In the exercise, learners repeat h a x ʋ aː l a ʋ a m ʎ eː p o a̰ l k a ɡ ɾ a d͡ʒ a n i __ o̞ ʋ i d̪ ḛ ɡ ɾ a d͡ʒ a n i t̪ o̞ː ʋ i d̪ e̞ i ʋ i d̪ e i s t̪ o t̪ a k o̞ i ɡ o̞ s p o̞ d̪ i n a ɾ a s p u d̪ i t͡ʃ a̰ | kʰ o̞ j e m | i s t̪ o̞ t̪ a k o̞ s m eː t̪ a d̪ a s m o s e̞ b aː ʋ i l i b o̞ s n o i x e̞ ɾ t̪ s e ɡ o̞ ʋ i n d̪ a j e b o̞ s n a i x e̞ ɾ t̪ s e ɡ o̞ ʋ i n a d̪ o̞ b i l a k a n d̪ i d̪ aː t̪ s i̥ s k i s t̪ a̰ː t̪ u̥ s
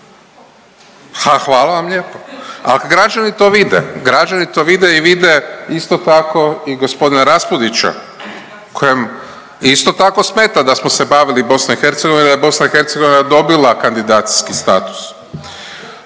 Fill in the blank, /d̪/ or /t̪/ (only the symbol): t̪